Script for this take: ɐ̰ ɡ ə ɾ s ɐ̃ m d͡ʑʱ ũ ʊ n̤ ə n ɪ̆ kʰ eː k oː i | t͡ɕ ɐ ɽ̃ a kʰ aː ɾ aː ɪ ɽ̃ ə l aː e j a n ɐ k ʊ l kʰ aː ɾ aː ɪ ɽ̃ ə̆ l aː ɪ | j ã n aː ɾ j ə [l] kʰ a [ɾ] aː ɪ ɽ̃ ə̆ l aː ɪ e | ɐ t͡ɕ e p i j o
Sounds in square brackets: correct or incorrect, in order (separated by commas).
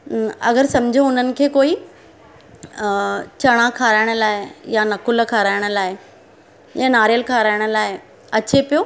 correct, correct